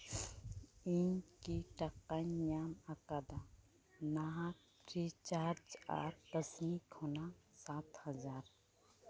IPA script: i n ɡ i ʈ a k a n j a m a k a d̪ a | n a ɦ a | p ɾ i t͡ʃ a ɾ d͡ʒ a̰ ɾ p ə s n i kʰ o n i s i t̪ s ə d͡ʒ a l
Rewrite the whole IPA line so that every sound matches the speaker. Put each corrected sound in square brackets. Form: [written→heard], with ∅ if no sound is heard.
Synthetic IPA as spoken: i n [ɡ→k] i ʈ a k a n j a m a k a d̪ a | n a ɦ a | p ɾ i t͡ʃ a ɾ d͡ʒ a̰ ɾ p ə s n i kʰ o n [i→a] s [i→a] t̪ [s→h] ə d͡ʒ a [l→ɾ]

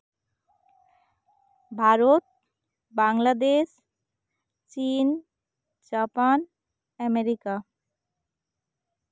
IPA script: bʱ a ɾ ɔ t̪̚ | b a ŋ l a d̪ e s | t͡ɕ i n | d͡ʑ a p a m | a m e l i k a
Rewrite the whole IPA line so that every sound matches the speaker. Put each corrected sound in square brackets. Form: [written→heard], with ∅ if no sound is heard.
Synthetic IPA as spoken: bʱ a ɾ [ɔ→o] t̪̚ | b a ŋ l a d̪ e [s→ʃ] | t͡ɕ i n | d͡ʑ a p a [m→n] | [a→ɛ] m e [l→ɾ] i k a

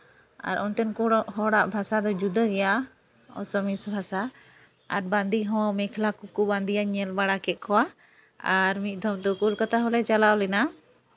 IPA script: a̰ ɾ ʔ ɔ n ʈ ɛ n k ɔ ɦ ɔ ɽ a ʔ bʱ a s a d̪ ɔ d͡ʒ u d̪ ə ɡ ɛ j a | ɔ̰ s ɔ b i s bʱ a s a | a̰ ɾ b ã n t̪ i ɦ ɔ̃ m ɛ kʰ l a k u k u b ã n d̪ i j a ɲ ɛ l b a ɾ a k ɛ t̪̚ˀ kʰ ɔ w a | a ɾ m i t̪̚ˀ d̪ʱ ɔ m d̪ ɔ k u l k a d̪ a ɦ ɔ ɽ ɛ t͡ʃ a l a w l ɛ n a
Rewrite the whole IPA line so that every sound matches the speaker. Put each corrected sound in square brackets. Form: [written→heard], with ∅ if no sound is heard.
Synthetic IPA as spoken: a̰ ɾ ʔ ɔ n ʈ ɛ n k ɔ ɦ ɔ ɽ a ʔ bʱ a s a d̪ ɔ d͡ʒ u d̪ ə ɡ ɛ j a | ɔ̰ s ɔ [b→m] i s bʱ a s a | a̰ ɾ b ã n [t̪→d̪] i ɦ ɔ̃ m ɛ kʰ l a k u k u b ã n d̪ i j a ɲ ɛ l b a [ɾ→ɽ] a k ɛ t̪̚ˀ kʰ ɔ w a | a ɾ m i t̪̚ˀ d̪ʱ ɔ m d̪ ɔ k u l k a [d̪→t̪] a ɦ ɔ [ɽ→l] ɛ t͡ʃ a l a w l ɛ n a

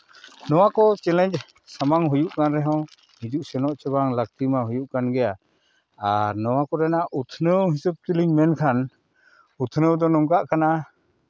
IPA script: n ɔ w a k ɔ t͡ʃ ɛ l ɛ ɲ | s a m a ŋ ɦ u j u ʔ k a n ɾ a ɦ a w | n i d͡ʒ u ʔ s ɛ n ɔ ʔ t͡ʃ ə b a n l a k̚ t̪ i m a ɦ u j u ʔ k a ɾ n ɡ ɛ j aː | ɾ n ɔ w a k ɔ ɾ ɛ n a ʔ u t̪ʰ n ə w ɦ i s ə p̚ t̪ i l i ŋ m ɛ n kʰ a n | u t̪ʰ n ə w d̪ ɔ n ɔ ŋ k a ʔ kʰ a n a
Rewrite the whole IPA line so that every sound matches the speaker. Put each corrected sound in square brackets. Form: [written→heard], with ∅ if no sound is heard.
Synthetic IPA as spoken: n ɔ w a k ɔ t͡ʃ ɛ l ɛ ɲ | s a m a ŋ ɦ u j u ʔ k a n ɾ [a→ɛ] ɦ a w | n i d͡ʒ u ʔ s ɛ n ɔ ʔ t͡ʃ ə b a [n→ŋ] l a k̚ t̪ i m a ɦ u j u ʔ k a [ɾ→∅] n ɡ ɛ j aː | ɾ n ɔ w a k ɔ ɾ ɛ n a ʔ u t̪ʰ n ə w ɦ i s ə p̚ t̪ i l i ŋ m ɛ n kʰ a n | u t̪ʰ n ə w d̪ ɔ n ɔ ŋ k a ʔ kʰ a n a

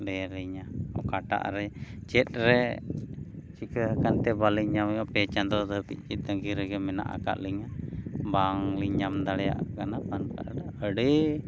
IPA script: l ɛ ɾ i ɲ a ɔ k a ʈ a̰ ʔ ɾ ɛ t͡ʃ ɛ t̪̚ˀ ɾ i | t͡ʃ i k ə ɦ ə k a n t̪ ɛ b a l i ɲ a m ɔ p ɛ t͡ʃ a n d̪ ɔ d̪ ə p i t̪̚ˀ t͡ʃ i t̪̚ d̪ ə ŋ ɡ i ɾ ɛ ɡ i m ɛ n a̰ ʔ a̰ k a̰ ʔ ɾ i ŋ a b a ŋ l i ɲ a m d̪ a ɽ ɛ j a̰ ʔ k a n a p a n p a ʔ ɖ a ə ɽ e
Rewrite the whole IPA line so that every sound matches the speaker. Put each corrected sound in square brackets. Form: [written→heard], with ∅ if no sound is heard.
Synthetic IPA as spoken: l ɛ ɾ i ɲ a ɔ k a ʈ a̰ ʔ ɾ ɛ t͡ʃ ɛ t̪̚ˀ ɾ [i→ɛ] | t͡ʃ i k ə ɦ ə k a n t̪ ɛ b a l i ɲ a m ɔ p ɛ t͡ʃ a n d̪ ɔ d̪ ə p i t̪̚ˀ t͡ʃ i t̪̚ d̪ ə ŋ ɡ i ɾ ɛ ɡ [i→ɛ] m ɛ n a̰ ʔ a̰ k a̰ ʔ [ɾ→l] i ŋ a b a ŋ l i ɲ a m d̪ a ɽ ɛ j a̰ ʔ k a n a p a n p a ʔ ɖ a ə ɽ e

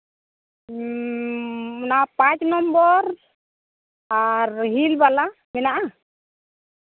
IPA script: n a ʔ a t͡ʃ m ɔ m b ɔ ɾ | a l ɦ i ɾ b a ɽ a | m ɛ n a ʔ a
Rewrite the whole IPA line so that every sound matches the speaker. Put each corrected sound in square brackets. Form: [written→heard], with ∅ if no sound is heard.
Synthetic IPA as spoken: n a [ʔ→p] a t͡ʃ [m→n] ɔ m b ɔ ɾ | a [l→ɾ] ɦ i [ɾ→l] b a [ɽ→l] a | m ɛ n a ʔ a

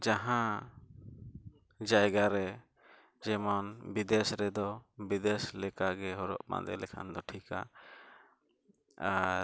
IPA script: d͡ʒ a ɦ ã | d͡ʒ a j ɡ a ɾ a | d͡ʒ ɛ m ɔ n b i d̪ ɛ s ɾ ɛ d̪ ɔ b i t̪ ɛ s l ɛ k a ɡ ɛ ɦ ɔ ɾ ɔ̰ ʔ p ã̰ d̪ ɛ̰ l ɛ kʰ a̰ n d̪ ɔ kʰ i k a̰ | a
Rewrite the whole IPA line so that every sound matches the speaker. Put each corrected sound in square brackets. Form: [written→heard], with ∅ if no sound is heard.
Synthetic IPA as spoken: d͡ʒ a ɦ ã | d͡ʒ a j ɡ a ɾ [a→ɛ] | d͡ʒ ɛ m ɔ n b i d̪ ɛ s ɾ ɛ d̪ ɔ b i [t̪→d̪] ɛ s l ɛ k a ɡ ɛ ɦ ɔ ɾ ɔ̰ ʔ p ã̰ d̪ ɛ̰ l ɛ kʰ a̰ n d̪ ɔ [kʰ→ʈʰ] i k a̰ | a

